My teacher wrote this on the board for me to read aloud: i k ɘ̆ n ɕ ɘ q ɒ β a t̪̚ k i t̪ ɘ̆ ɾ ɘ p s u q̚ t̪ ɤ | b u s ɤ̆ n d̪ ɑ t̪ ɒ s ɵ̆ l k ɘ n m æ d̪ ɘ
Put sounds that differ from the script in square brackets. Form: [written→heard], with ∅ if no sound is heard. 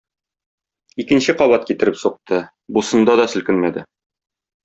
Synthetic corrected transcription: i k ɘ̆ n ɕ ɘ q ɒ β [a→ɑ] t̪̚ k i t̪ ɘ̆ ɾ ɘ p s u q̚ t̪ ɤ | b u s ɤ̆ n d̪ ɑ [t̪→d̪] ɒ s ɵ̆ l k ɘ n m æ d̪ ɘ